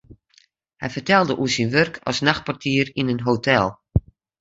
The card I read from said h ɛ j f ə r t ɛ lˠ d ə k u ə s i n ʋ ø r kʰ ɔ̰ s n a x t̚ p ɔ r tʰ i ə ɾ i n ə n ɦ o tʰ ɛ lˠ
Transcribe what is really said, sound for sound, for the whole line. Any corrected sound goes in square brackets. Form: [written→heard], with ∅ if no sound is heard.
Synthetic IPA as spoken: h ɛ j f ə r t ɛ lˠ d ə [k→ʔ] u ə s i n ʋ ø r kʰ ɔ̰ s n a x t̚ p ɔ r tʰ i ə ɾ i n ə n ɦ o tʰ ɛ lˠ